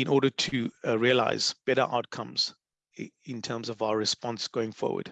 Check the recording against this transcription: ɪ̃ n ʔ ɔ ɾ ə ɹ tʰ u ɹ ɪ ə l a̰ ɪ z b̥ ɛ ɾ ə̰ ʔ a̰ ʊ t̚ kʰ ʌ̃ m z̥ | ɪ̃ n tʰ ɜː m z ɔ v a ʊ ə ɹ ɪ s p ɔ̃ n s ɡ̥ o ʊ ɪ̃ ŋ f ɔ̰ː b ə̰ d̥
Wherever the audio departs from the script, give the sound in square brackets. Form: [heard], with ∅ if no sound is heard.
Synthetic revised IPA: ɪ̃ n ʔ ɔ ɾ ə [∅] tʰ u ɹ [i] ə l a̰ ɪ z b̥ ɛ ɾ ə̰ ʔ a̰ ʊ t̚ kʰ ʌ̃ m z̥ | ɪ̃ n tʰ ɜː m z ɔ v a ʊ ə ɹ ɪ s p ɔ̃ n s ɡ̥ o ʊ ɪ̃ ŋ f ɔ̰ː [w] ə̰ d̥